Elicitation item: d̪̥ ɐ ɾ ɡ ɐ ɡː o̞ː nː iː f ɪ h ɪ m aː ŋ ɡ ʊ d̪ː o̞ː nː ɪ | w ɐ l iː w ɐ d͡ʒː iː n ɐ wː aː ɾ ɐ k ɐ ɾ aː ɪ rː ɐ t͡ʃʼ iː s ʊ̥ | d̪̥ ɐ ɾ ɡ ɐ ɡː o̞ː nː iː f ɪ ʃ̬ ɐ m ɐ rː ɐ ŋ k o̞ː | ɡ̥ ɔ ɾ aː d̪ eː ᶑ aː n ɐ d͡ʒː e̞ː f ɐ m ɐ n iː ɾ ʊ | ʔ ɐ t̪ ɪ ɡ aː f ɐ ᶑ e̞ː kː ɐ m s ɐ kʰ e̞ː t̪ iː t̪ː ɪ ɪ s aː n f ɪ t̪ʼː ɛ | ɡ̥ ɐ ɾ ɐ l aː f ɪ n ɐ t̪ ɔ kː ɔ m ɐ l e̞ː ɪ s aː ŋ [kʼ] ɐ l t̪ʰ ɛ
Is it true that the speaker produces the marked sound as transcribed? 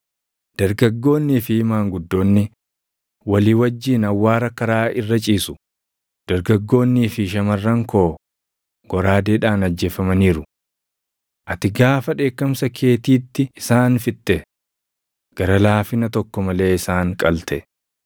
yes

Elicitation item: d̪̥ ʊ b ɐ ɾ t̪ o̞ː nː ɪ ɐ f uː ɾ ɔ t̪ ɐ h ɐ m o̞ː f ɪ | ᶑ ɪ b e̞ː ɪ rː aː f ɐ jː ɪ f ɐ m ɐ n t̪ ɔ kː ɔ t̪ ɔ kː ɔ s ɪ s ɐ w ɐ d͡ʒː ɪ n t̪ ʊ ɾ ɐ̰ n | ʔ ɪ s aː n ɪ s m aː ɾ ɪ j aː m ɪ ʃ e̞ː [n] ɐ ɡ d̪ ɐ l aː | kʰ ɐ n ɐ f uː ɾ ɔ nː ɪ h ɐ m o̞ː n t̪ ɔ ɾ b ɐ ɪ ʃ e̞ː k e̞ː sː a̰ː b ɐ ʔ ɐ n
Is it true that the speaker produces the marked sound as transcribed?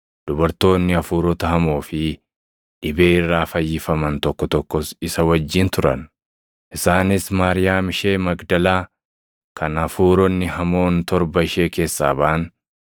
no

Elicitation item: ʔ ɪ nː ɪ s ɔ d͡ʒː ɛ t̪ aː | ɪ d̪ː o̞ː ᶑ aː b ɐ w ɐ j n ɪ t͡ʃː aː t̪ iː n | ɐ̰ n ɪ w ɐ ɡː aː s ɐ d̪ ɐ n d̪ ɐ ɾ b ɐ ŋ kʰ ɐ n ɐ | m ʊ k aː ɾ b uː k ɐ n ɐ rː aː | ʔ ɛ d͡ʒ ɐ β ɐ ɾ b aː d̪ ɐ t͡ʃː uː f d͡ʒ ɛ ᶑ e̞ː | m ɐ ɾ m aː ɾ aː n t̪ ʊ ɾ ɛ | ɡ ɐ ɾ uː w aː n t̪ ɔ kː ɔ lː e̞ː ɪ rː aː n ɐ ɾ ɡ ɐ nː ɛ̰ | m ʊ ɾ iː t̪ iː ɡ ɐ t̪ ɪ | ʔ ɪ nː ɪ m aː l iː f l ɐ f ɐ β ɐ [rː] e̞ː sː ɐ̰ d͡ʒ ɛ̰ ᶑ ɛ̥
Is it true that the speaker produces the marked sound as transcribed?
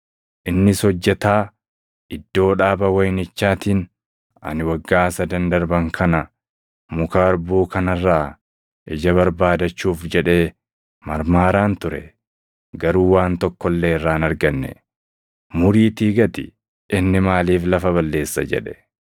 no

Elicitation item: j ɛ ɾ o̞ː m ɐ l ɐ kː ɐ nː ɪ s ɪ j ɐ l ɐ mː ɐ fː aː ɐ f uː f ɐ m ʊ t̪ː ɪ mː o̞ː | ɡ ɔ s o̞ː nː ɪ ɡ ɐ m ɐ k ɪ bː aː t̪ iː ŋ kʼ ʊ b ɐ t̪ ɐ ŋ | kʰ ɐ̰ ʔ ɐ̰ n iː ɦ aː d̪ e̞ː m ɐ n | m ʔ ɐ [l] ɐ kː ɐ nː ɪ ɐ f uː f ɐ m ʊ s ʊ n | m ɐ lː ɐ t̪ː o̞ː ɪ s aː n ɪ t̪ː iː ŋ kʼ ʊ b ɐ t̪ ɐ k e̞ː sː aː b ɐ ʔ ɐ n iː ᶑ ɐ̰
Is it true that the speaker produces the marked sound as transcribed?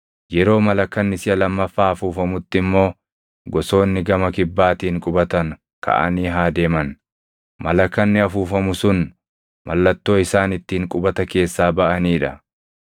yes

